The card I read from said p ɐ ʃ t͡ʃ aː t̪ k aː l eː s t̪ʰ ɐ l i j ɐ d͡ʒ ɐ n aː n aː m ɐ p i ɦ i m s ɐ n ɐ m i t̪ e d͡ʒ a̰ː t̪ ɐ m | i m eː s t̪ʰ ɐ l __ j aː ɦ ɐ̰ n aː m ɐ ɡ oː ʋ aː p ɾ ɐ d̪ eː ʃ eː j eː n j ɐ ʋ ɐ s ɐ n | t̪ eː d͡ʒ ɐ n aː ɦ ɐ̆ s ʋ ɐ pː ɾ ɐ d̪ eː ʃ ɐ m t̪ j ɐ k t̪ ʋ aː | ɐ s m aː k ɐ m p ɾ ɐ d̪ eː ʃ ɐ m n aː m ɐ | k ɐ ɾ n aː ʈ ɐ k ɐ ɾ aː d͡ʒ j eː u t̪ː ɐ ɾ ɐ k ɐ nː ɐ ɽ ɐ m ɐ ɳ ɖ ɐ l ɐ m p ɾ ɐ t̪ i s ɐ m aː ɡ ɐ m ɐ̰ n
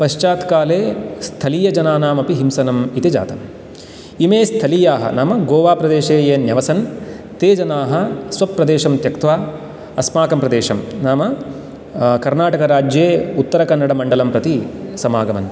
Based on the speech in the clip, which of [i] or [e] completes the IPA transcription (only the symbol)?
i